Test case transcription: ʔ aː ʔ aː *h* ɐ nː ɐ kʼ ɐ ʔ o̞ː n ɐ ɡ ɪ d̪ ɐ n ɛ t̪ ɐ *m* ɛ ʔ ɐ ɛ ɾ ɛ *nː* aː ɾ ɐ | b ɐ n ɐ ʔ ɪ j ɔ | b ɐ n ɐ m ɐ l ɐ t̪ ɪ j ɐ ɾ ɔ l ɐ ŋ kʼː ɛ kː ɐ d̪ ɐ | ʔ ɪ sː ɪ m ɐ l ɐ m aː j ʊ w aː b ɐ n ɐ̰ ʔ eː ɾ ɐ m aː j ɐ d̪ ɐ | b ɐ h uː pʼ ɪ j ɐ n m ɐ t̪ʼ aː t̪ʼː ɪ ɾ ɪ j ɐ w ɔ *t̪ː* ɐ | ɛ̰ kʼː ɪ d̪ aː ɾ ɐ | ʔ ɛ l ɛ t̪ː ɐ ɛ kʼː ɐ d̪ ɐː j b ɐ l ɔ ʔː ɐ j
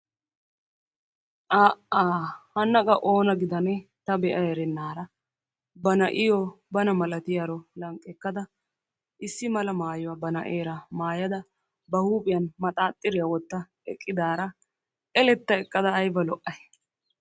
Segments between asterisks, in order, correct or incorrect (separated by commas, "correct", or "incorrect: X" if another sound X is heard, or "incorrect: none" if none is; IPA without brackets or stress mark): correct, incorrect: b, correct, correct